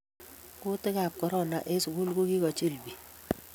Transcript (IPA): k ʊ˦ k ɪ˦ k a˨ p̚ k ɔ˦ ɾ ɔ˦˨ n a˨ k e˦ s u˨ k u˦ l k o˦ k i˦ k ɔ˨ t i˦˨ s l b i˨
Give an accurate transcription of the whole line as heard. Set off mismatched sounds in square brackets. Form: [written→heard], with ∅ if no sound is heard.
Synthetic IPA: k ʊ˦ [k→t] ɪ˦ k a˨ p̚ k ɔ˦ ɾ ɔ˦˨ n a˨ [k→ʔ] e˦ s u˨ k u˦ l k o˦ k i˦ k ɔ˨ [t→t͡ʃ] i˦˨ [s→∅] l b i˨